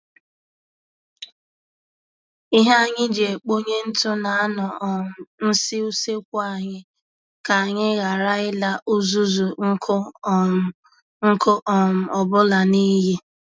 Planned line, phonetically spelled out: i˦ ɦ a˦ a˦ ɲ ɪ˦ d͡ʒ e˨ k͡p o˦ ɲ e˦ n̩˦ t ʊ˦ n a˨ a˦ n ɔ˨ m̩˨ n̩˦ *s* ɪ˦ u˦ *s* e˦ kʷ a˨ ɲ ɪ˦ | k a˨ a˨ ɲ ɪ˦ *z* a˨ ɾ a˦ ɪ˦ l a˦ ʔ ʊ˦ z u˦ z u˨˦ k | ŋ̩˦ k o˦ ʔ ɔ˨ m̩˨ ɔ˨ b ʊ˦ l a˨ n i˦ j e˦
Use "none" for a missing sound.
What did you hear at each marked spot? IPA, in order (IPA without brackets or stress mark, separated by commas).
s, s, ɣ